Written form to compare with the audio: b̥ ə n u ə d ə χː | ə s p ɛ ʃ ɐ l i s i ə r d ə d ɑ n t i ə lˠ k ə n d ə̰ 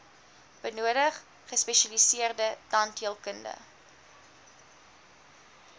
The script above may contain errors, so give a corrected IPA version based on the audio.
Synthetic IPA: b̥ ə n u ə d ə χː | ə s p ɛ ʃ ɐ l i s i ə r d ə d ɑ n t i ə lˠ k ə n d ə̰